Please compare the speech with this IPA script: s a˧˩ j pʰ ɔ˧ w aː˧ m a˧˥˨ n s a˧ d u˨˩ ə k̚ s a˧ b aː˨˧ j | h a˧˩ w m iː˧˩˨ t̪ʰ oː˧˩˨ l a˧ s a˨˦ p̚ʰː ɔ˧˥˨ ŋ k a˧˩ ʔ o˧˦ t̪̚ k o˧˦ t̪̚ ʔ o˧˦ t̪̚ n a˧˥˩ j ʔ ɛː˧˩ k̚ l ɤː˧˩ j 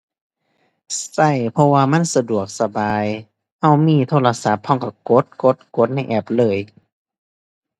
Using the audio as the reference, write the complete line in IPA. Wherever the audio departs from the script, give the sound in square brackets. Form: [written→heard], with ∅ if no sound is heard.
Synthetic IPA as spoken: s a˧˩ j pʰ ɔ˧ w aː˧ m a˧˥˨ n s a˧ d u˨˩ ə k̚ s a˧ b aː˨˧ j | h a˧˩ w m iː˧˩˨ t̪ʰ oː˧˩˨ l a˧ s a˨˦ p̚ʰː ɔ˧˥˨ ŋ k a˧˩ [ʔ→k] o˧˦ t̪̚ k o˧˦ t̪̚ [ʔ→k] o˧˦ t̪̚ n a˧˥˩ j ʔ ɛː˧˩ [k̚→p̚] l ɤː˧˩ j